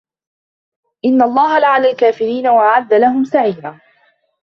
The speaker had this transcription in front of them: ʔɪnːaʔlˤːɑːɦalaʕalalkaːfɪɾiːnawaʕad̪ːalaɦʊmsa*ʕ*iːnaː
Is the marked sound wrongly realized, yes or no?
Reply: no